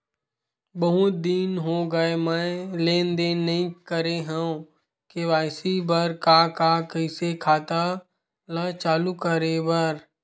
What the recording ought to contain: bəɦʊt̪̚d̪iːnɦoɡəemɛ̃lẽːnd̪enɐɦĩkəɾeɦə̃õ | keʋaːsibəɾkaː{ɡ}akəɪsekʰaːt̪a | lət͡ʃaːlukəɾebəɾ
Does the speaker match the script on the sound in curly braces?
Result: no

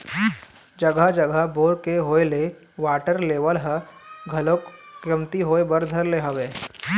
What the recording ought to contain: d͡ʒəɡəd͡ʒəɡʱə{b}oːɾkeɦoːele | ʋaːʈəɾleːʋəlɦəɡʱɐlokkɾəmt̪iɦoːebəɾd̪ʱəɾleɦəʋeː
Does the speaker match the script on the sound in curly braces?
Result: yes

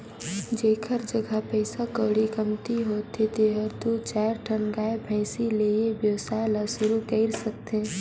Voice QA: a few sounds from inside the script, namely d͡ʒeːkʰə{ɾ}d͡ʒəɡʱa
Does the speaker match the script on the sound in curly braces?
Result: yes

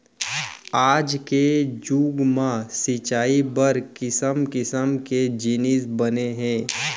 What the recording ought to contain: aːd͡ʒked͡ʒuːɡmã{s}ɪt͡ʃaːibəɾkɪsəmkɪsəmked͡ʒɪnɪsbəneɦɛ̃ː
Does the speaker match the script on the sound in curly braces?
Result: yes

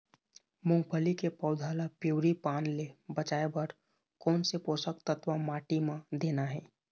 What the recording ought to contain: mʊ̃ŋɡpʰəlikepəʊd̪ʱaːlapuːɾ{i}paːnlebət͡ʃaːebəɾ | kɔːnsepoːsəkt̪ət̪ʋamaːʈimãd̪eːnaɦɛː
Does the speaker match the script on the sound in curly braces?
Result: yes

